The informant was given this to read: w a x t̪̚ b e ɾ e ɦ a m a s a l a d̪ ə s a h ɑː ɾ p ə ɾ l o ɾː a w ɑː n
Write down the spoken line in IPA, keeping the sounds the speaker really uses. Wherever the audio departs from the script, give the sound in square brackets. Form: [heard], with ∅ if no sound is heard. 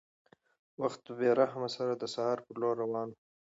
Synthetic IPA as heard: w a x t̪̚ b e ɾ [a] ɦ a m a s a [ɾ] a d̪ ə s a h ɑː ɾ p ə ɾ l o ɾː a w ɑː n